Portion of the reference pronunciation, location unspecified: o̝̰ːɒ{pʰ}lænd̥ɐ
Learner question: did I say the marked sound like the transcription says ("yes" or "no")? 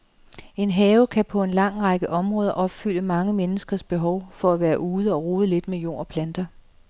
yes